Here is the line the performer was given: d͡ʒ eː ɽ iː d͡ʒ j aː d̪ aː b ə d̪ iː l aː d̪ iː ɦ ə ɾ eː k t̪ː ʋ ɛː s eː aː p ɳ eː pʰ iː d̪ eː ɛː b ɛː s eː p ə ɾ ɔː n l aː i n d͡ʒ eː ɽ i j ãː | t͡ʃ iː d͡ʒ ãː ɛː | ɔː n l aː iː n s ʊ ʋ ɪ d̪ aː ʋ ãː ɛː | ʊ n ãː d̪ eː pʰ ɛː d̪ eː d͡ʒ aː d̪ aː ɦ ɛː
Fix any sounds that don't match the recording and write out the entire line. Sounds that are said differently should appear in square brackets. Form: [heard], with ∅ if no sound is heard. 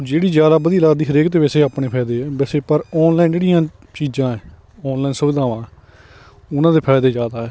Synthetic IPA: d͡ʒ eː ɽ iː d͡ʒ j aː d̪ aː b ə d̪ iː l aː d̪ iː ɦ ə ɾ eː k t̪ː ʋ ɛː s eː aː p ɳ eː pʰ [ɛː] d̪ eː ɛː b ɛː s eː p ə ɾ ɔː n l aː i n d͡ʒ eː ɽ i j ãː | t͡ʃ iː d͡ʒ ãː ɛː | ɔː n l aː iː n s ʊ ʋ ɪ d̪ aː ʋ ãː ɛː | ʊ n ãː d̪ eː pʰ ɛː d̪ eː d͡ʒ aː d̪ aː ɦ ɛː